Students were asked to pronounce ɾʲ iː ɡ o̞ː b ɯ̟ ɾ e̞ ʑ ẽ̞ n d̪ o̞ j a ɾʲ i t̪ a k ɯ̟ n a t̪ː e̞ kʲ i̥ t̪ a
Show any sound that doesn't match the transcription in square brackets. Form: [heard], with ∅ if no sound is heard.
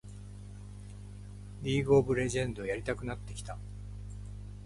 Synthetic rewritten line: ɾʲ iː ɡ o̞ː b ɯ̟ ɾ e̞ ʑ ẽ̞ n d̪ o̞ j a ɾʲ i t̪ a k ɯ̟ n a t̪ː e̞ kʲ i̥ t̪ a

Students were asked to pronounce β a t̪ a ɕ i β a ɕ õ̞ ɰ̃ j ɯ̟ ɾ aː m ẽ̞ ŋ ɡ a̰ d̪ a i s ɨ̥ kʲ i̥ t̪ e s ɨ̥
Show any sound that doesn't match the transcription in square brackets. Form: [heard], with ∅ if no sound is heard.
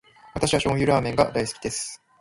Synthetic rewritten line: β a t̪ a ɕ i β a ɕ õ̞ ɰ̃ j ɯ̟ ɾ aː m ẽ̞ ŋ ɡ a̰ d̪ a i s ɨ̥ kʲ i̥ [d̪] e s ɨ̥

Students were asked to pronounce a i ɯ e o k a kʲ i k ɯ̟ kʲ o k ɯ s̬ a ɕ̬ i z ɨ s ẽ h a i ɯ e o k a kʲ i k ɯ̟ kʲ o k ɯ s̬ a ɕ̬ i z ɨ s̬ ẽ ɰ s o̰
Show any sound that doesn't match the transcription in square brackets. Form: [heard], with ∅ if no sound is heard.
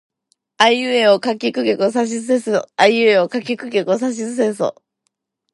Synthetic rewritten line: a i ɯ e o k a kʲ i k ɯ̟ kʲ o k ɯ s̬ a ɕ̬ i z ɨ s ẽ [s] a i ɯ e o k a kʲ i k ɯ̟ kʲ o k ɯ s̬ a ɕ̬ i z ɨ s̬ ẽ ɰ s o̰

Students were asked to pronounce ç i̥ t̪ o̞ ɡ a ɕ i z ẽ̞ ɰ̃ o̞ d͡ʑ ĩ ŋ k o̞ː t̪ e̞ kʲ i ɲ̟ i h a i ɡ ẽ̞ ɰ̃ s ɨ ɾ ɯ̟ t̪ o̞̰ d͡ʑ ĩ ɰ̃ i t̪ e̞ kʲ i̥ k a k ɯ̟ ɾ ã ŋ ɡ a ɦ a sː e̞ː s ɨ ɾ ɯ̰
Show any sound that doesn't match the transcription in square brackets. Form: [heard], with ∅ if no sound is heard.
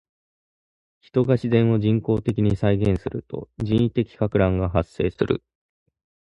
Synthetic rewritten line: ç i̥ t̪ o̞ ɡ a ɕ i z ẽ̞ ɰ̃ o̞ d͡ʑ ĩ ŋ k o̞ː t̪ e̞ kʲ i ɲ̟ i [s] a i ɡ ẽ̞ ɰ̃ s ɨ ɾ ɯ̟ t̪ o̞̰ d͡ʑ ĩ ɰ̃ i t̪ e̞ kʲ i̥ k a k ɯ̟ ɾ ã ŋ ɡ a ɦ a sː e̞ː s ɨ ɾ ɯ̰

